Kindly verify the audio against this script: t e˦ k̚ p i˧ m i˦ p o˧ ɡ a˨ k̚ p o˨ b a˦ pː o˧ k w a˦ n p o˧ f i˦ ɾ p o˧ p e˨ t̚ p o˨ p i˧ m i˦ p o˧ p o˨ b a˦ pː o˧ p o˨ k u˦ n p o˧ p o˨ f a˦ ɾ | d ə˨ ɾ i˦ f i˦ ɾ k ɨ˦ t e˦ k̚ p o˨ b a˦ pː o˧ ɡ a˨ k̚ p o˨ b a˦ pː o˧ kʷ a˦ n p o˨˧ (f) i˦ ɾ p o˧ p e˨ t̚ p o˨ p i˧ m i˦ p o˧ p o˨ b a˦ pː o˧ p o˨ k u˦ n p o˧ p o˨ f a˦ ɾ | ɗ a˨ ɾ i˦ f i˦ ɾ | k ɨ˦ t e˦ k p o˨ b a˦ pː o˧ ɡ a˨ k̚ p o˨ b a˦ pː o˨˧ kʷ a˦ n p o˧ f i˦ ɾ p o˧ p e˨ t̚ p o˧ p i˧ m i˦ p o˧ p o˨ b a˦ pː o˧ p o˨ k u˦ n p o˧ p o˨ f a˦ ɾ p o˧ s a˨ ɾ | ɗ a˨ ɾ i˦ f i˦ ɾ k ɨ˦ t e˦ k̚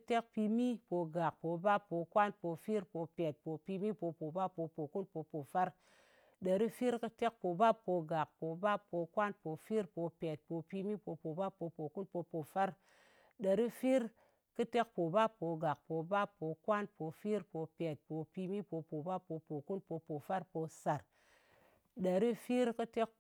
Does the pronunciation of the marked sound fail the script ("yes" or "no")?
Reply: no